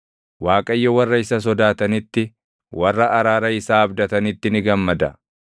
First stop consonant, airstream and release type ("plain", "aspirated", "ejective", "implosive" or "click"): ejective